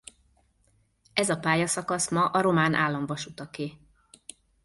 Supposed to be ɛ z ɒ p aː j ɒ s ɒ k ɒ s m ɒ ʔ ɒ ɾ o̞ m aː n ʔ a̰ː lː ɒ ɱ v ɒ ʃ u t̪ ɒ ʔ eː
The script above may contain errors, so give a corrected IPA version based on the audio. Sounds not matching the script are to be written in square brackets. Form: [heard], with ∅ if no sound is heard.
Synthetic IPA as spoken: ɛ z ɒ p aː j ɒ s ɒ k ɒ s m ɒ ʔ ɒ ɾ o̞ m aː n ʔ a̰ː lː ɒ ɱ v ɒ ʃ u t̪ ɒ [k] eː